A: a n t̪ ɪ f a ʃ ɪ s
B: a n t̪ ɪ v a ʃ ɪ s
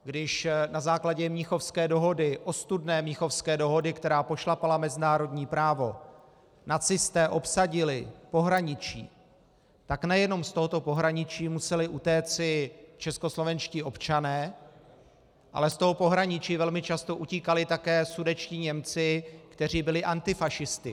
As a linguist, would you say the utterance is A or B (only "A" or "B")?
A